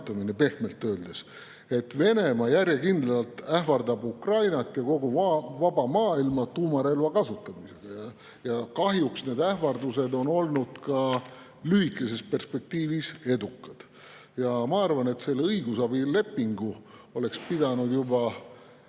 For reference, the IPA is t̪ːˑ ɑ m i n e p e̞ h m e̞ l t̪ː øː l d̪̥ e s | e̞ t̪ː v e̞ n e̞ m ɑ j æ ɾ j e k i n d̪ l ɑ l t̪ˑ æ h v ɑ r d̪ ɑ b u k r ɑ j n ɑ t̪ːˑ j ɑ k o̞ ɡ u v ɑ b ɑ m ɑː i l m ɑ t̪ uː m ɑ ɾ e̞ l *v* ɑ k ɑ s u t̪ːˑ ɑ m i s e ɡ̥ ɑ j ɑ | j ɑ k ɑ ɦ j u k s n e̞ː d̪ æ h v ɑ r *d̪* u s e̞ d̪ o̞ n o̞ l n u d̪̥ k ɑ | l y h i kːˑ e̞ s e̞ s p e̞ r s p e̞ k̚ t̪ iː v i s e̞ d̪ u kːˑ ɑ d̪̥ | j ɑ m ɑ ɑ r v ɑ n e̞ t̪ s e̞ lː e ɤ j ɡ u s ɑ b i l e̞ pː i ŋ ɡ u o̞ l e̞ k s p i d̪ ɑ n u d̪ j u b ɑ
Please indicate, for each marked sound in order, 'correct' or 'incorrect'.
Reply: correct, correct

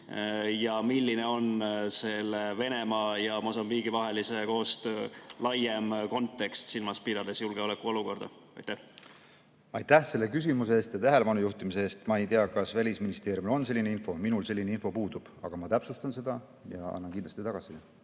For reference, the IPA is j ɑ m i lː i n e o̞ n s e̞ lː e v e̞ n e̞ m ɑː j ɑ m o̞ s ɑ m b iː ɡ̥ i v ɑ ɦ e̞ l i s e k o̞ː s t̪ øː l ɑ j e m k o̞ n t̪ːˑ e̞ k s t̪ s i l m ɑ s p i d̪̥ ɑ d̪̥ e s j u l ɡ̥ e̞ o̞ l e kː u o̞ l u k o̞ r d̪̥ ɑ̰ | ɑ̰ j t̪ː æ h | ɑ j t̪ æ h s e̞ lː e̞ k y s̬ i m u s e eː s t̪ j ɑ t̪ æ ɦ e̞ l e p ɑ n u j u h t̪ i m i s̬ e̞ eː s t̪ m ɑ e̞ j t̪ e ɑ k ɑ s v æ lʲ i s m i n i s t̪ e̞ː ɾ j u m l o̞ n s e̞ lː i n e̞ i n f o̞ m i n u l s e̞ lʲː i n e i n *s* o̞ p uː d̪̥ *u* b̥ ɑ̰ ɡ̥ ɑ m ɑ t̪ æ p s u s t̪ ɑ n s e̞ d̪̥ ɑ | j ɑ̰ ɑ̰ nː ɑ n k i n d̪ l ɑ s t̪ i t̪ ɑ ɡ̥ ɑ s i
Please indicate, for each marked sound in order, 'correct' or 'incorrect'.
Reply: incorrect: f, correct

